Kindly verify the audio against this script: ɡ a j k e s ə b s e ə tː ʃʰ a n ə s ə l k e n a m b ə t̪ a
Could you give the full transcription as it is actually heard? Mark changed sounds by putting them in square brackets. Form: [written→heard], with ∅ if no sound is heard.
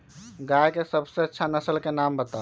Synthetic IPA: ɡ a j k e s ə b s e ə tː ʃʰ a n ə s ə l k e n a m b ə t̪ a